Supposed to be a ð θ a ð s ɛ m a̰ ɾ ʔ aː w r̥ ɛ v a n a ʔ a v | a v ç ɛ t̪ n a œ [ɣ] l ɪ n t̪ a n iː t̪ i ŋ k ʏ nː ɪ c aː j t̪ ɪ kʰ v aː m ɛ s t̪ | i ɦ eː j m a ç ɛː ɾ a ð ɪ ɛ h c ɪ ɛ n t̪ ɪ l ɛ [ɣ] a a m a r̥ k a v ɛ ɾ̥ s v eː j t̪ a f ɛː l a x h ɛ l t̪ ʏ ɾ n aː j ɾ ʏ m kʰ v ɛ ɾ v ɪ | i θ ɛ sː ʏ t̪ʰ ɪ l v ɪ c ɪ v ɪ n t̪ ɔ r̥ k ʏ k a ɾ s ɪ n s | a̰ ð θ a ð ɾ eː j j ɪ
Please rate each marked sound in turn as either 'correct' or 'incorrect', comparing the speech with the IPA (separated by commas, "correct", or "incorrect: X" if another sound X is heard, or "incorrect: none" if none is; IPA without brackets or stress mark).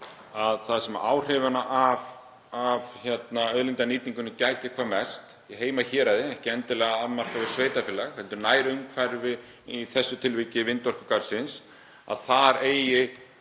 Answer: incorrect: ð, correct